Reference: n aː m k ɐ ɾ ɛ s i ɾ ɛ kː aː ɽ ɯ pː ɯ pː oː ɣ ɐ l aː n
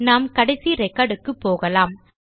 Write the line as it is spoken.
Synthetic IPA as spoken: n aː m k ɐ ɽ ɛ s i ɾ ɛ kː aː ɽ ɯ kː ɯ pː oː ɣ ɐ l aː m

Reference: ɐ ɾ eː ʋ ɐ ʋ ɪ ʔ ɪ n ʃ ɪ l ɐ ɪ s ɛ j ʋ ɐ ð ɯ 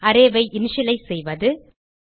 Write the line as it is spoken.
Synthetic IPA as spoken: ɐ ɾ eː ʋ ɐ ɪ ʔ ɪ n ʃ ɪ l ɐ ɪ s ɛ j ʋ ɐ ð ɯ

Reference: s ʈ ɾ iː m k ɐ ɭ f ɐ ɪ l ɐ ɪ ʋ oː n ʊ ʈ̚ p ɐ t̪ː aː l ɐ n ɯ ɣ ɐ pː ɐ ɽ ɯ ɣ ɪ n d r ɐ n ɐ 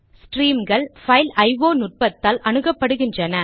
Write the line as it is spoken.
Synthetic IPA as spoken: s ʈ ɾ iː m ɡ ɐ ɭ f ɐ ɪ l ɐ ɪ ʋ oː n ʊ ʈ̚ p ɐ t̪ː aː l ɐ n ɯ ɣ ɐ pː ɐ ɽ ɯ ɣ ɪ n d r ɐ n ɐ

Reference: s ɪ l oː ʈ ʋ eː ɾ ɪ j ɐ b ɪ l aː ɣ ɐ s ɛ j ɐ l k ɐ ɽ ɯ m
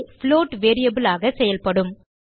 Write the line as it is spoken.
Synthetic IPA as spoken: f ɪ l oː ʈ ʋ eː ɾ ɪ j ɐ b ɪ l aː ɣ ɐ s ɛ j ɐ l p ɐ ɽ ɯ m

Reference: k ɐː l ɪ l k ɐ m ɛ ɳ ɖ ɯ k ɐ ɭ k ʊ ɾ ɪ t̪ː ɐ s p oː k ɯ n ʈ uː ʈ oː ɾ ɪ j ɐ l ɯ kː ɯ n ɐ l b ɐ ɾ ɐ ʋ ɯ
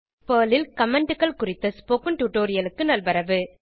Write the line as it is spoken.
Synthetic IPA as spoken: p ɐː l ɪ l k ɐ m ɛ ɳ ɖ ɯ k ɐ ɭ k ʊ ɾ ɪ t̪ː ɐ s p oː k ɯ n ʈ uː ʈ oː ɾ ɪ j ɐ l ɯ kː ɯ n ɐ l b ɐ ɾ ɐ ʋ ɯ

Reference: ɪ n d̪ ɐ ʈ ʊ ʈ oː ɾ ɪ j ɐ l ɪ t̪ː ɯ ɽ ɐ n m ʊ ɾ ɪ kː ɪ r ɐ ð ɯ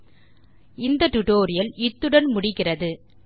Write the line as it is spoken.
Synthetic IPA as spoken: ɪ n d̪ ɐ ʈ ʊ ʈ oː ɾ ɪ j ɐ l ɪ t̪ː ɯ ɽ ɐ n m ʊ ɽ ɪ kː ɪ r ɐ ð ɯ

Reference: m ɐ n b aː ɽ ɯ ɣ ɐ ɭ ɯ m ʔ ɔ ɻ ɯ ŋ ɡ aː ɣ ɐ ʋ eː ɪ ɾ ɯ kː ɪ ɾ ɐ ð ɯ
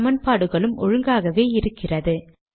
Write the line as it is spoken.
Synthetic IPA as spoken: m ɐ n p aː ɽ ɯ ɣ ɐ ɭ ɯ m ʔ ɔ ɻ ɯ ŋ ɡ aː ɣ ɐ ʋ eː ɪ ɾ ɯ kː ɪ r ɐ ð ɯ

